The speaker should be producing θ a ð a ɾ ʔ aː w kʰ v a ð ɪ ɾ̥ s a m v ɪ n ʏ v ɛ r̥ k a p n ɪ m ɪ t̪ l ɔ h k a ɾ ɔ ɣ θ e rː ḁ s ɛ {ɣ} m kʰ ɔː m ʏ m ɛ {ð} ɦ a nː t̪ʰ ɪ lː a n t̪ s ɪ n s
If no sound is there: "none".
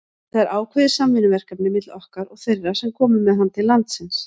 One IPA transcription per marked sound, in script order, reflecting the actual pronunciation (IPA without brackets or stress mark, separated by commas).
none, ð